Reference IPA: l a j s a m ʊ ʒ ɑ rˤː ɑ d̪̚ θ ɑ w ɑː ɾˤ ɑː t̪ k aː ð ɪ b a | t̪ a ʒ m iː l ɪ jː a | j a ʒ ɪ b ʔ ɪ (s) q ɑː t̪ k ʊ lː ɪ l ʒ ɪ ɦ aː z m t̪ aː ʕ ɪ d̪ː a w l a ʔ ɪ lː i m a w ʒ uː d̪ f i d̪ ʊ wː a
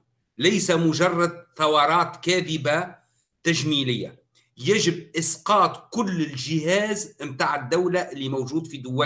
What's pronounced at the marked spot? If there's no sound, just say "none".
s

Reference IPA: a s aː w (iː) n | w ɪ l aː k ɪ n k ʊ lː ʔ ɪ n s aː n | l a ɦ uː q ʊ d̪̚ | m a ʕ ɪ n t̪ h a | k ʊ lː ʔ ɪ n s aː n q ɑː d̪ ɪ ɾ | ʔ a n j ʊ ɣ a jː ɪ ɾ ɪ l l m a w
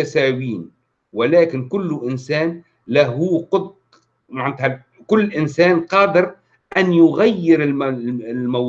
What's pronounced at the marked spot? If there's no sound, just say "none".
iː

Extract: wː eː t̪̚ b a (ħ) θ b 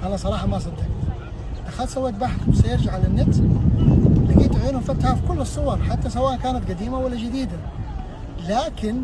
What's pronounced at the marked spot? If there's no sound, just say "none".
ħ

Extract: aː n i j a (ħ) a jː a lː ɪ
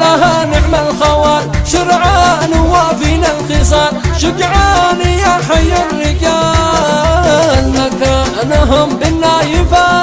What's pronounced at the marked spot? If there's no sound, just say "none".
ħ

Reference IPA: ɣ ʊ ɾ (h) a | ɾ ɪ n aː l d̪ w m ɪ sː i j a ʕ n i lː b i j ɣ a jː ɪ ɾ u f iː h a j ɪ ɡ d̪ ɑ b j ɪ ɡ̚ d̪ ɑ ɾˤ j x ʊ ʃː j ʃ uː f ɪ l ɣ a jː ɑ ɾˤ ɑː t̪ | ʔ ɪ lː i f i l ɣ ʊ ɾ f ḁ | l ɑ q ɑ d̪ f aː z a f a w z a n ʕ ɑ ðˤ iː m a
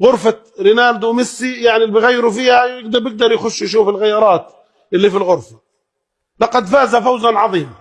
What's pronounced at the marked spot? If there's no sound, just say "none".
f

